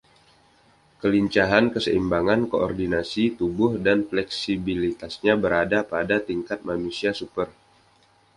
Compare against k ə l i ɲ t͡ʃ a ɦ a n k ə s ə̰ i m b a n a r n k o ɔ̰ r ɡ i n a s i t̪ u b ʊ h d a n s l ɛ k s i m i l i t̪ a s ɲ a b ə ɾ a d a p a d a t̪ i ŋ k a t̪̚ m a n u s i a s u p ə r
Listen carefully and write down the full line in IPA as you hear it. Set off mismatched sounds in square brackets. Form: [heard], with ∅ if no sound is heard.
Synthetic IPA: k ə l i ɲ t͡ʃ a ɦ a n k ə s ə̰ i m b a [ŋ] a [∅] n k o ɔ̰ r [d] i n a s i t̪ u b ʊ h d a n [f] l ɛ k s i [b] i l i t̪ a s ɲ a b ə ɾ a d a p a d a t̪ i ŋ k a t̪̚ m a n u s i a s u p ə r